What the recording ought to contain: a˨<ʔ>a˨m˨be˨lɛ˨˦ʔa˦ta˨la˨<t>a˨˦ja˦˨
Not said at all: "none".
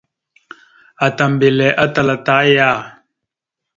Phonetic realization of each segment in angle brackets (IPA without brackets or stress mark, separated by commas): t, t